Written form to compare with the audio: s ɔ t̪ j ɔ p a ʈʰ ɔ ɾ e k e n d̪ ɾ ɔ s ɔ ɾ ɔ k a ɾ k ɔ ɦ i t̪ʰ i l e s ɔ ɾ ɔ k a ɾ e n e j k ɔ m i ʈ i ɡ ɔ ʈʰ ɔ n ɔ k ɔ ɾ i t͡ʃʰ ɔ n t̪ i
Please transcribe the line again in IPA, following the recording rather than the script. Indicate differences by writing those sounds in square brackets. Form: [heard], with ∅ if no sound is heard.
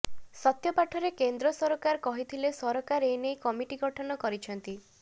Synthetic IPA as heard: s ɔ t̪ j ɔ p a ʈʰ ɔ ɾ e k e n d̪ ɾ ɔ s ɔ ɾ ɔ k a ɾ k ɔ ɦ i t̪ʰ i l e s ɔ ɾ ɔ k a ɾ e n e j k ɔ m i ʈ i ɡ ɔ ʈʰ ɔ n ɔ k ɔ ɾ i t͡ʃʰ ɔ n t̪ i